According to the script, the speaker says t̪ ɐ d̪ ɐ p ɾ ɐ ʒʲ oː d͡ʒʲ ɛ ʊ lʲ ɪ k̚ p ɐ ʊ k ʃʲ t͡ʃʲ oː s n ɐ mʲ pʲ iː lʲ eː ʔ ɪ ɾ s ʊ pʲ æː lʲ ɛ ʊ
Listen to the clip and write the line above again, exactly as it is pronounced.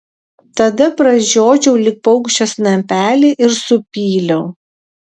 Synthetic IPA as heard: t̪ ɐ d̪ ɐ p ɾ ɐ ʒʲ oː d͡ʒʲ ɛ ʊ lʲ ɪ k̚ p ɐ ʊ k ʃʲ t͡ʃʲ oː s n ɐ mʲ pʲ æː lʲ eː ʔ ɪ ɾ s ʊ pʲ iː lʲ ɛ ʊ

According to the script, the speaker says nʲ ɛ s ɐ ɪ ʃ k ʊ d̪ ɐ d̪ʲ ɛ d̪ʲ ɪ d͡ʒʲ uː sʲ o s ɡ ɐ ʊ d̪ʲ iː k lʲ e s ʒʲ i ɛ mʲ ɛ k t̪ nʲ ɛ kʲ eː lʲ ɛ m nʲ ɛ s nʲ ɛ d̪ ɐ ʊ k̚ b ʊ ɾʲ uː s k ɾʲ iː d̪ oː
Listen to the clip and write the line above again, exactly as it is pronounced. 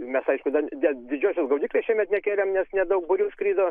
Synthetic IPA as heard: mʲ ɛ s ɐ ɪ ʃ k ʊ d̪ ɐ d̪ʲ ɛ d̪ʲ ɪ d͡ʒʲ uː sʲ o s ɡ ɐ ʊ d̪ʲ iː k lʲ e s ʃʲ i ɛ mʲ ɛ t̪ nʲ ɛ kʲ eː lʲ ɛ m nʲ ɛ s nʲ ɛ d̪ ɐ ʊ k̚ b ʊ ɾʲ uː s k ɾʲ iː d̪ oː

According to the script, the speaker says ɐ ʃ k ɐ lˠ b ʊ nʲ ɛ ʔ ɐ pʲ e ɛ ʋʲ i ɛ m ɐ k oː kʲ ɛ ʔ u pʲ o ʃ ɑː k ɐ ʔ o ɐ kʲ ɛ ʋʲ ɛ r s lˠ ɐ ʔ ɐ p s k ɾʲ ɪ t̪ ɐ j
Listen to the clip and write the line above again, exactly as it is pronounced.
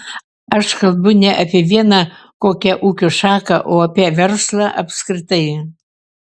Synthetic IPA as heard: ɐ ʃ k ɐ lˠ b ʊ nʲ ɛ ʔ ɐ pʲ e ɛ ʋʲ i ɛ n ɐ k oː kʲ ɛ ʔ u kʲ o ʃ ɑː k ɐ ʔ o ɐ pʲ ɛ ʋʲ ɛ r s lˠ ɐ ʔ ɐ p s k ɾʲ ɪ t̪ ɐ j

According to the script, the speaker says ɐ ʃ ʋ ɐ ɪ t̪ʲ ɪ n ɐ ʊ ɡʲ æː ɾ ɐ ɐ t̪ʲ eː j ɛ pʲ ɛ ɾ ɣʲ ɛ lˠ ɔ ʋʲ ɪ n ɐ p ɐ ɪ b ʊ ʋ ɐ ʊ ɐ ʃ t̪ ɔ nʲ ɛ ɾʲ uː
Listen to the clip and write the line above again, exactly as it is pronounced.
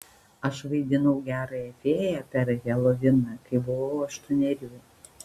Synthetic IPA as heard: ɐ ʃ ʋ ɐ ɪ d̪ʲ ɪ n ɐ ʊ ɡʲ æː ɾ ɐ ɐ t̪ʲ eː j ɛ pʲ ɛ ɾ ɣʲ ɛ lˠ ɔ ʋʲ ɪ n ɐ k ɐ ɪ b ʊ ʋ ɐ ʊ ɐ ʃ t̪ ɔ nʲ ɛ ɾʲ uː

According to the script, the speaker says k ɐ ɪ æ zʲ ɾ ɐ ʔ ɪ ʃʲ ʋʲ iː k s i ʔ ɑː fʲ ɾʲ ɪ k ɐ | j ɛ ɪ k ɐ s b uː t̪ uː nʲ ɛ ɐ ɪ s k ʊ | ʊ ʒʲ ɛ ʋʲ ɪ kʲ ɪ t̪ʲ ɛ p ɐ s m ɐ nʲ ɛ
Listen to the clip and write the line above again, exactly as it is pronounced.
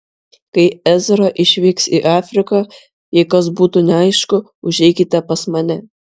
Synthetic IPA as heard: k ɐ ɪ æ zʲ ɾ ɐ ʔ ɪ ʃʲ ʋʲ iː k s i ʔ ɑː fʲ ɾʲ ɪ k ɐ | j ɛ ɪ k ɐ s b uː t̪ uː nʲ ɛ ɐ ɪ ʃ k ʊ | ʊ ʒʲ ɛ ɪ kʲ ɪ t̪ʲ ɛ p ɐ s m ɐ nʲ ɛ

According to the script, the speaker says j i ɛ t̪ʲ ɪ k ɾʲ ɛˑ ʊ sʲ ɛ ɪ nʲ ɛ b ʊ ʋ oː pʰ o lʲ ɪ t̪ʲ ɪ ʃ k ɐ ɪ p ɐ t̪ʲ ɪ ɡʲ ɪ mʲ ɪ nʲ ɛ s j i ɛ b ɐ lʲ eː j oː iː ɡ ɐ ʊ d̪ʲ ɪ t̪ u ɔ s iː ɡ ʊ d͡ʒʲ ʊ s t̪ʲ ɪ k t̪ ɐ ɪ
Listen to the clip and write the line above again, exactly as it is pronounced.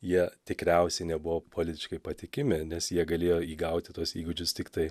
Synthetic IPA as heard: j i ɛ t̪ʲ ɪ k ɾʲ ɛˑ ʊ sʲ ɛ ɪ nʲ ɛ b ʊ ʋ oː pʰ o lʲ ɪ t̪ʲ ɪ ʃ k ɐ ɪ p ɐ t̪ʲ ɪ kʲ ɪ mʲ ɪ nʲ ɛ s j i ɛ ɡ ɐ lʲ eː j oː iː ɡ ɐ ʊ t̪ʲ ɪ t̪ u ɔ s iː ɡ ʊ d͡ʒʲ ʊ s t̪ʲ ɪ k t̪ ɐ ɪ

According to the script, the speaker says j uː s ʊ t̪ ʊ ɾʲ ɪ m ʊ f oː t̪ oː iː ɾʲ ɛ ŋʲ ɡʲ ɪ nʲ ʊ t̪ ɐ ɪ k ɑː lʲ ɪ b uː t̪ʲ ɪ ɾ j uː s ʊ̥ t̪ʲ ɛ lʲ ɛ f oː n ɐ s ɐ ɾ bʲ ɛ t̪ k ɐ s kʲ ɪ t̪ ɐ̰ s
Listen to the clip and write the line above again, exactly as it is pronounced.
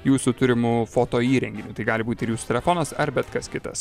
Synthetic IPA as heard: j uː s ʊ t̪ ʊ ɾʲ ɪ m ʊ f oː t̪ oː iː ɾʲ ɛ ŋʲ ɡʲ ɪ nʲ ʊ t̪ ɐ ɪ ɡ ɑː lʲ ɪ b uː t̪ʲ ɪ ɾ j uː s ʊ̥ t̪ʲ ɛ lʲ ɛ f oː n ɐ s ɐ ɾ bʲ ɛ t̪ k ɐ s kʲ ɪ t̪ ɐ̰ s

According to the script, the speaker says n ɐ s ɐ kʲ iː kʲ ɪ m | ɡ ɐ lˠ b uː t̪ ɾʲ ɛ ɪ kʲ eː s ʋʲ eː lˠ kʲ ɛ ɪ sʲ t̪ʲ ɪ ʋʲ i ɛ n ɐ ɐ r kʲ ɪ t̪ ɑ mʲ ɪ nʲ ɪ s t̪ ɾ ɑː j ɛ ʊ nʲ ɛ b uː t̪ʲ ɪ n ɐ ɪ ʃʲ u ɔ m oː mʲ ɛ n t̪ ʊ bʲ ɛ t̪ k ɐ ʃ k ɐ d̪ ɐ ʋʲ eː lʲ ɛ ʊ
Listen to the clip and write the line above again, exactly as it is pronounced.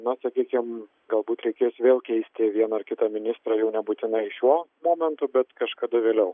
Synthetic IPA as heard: n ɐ s ɐ kʲ iː kʲ ɪ m | ɡ ɐ lˠ b uː t̪ ɾʲ ɛ ɪ kʲ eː s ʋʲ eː lˠ kʲ ɛ ɪ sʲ t̪ʲ ɪ ʋʲ i ɛ n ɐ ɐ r kʲ ɪ t̪ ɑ mʲ ɪ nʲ ɪ s t̪ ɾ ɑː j ɛ ʊ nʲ ɛ b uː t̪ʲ ɪ n ɐ ɪ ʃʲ u ɔ m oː mʲ ɛ n t̪ ʊ bʲ ɛ t̪ k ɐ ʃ k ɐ d̪ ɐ ʋʲ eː lʲ ɛ ʊ

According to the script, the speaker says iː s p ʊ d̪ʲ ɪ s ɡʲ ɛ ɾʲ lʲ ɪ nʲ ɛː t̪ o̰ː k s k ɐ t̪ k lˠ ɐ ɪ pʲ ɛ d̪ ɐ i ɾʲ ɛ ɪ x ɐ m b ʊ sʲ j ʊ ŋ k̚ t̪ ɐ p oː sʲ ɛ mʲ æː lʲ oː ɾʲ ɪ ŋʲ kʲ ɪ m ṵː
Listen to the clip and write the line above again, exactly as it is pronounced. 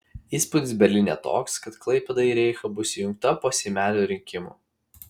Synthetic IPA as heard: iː s p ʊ d̪ʲ ɪ s bʲ ɛ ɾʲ lʲ ɪ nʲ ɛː t̪ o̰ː k s k ɐ t̪ k lˠ ɐ ɪ pʲ ɛ d̪ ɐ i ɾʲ ɛ ɪ x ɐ b ʊ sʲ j ʊ ŋ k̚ t̪ ɐ p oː sʲ ɛ mʲ æː lʲ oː ɾʲ ɪ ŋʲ kʲ ɪ m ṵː

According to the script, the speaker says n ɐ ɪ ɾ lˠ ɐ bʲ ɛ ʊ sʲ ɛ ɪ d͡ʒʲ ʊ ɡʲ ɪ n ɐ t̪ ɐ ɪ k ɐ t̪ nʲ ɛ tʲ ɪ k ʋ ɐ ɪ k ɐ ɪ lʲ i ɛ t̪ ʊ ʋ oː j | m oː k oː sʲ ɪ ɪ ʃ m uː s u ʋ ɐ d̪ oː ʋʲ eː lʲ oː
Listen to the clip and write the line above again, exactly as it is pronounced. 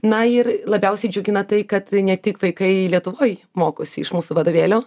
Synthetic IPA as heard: n ɐ ɪ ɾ lˠ ɐ bʲ ɛ ʊ sʲ ɛ ɪ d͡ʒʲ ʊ ɡʲ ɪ n ɐ t̪ ɐ ɪ k ɐ t̪ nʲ ɛ tʲ ɪ k ʋ ɐ ɪ k ɐ ɪ lʲ i ɛ t̪ ʊ ʋ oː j | m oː k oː sʲ ɪ ɪ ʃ m uː s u ʋ ɐ d̪ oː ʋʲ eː lʲ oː

